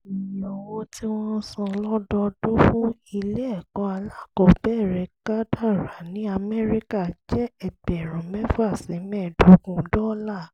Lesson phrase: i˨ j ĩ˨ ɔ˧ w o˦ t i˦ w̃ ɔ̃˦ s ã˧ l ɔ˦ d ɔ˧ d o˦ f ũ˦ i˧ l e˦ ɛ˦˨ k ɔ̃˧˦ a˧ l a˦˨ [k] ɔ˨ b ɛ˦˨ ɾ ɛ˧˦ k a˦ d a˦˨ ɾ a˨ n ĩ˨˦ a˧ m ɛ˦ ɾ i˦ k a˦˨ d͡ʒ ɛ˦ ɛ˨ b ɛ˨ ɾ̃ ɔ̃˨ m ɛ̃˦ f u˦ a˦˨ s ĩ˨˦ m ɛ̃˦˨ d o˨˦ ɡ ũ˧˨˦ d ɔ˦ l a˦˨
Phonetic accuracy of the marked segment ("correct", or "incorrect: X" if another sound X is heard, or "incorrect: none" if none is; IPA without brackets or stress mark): correct